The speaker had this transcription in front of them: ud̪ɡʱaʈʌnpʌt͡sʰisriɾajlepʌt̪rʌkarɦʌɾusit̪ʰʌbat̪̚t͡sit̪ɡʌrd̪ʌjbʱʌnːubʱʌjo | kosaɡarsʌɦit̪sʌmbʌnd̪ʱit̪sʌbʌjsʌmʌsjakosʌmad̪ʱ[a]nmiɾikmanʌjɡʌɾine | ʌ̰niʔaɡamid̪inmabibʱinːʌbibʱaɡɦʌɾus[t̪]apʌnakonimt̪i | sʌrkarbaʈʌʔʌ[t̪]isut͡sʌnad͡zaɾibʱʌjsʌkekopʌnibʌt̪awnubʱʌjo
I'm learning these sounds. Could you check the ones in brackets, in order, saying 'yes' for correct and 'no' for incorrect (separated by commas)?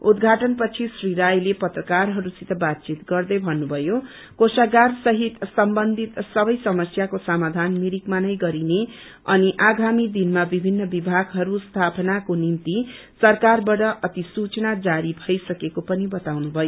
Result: yes, no, yes